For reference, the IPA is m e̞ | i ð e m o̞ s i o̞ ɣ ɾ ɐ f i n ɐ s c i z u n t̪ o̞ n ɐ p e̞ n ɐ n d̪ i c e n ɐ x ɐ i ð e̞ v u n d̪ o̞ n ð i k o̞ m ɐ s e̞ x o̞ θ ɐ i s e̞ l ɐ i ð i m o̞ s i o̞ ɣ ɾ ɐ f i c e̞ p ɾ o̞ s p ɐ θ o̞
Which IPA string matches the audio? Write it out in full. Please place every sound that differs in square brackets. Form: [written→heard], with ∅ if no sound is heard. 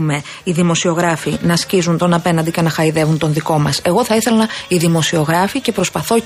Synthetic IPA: m e̞ | i ð [e→i] m o̞ s i o̞ ɣ ɾ ɐ f i n ɐ s c i z u n t̪ o̞ n ɐ p e̞ n ɐ n d̪ i c e n ɐ x ɐ i ð e̞ v u n [d̪→t̪] o̞ n ð i k o̞ m ɐ s e̞ [x→ɣ] o̞ θ ɐ i [s→θ] e̞ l ɐ i ð i m o̞ s i o̞ ɣ ɾ ɐ f i c e̞ p ɾ o̞ s p ɐ θ o̞